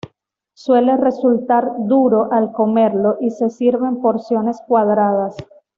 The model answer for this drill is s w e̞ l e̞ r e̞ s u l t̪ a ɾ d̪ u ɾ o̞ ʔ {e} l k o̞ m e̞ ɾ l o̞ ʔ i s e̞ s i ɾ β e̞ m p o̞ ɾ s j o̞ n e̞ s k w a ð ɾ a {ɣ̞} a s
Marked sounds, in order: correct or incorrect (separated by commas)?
incorrect, incorrect